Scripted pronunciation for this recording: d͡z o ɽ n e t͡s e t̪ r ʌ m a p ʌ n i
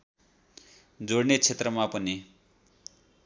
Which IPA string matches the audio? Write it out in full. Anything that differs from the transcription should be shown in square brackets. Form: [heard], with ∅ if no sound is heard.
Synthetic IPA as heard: d͡z o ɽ n e [t͡sʰ] e t̪ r ʌ m a p ʌ n i

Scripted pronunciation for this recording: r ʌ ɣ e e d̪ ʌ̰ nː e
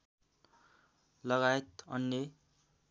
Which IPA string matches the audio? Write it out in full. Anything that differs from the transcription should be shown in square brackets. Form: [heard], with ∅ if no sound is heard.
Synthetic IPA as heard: [l] ʌ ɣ [a] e [t̪] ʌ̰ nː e

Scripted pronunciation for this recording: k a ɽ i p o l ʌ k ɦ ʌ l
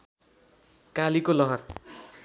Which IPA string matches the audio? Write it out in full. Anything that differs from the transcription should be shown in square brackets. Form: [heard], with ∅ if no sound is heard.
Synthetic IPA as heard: k a [l] i [k] o l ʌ [∅] ɦ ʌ [r]

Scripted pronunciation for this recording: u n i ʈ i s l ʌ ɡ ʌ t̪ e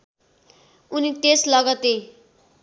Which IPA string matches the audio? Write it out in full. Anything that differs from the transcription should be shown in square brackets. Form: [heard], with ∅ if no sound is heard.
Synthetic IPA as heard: u n i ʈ [e] s l ʌ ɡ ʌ t̪ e

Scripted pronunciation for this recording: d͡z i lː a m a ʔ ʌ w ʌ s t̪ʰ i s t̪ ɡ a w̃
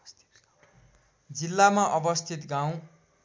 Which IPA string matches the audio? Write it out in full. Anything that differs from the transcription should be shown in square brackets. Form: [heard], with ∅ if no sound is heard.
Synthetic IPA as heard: d͡z i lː a m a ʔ ʌ [b] ʌ s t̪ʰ i [∅] t̪ ɡ a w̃

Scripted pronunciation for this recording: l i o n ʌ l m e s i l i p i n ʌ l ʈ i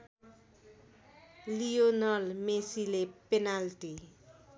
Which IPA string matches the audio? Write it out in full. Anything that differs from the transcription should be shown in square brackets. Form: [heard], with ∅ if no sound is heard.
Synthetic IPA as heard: l i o n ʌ l m e s i l [e] p [e] n [a] l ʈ i

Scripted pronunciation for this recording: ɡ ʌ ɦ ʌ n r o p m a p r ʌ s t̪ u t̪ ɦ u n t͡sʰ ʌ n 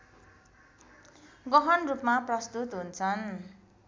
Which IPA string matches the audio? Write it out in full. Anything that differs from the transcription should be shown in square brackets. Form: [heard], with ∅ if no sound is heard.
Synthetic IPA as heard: ɡ ʌ ɦ ʌ n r [u] p m a p r ʌ s t̪ u t̪ ɦ u n t͡sʰ ʌ n

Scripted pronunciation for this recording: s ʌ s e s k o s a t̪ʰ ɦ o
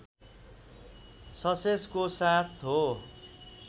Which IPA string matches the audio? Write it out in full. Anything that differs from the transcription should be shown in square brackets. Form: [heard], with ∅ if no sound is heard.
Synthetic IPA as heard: s ʌ s e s k o s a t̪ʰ ɦ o

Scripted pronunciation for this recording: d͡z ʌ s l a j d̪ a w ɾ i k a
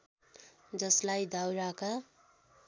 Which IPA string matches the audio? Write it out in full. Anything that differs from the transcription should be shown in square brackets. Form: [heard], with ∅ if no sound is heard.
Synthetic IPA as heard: d͡z ʌ s l a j d̪ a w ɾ [a] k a

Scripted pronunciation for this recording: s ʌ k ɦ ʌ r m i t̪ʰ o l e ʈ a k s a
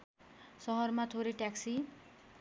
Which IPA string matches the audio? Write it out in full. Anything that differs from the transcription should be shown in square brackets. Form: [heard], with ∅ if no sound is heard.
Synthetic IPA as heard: s ʌ [∅] ɦ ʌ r m [a] t̪ʰ o [ɾ] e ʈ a k s [i]

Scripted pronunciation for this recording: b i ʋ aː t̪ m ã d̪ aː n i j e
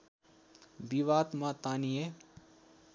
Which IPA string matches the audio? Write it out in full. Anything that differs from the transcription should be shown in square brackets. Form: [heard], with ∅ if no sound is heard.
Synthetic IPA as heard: b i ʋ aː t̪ m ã [t̪] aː n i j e

